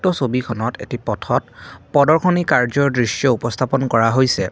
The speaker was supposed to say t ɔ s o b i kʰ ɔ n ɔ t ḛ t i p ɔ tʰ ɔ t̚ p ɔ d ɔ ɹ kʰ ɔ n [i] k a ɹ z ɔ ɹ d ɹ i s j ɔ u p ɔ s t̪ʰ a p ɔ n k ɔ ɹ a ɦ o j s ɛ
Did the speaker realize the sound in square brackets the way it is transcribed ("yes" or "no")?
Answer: yes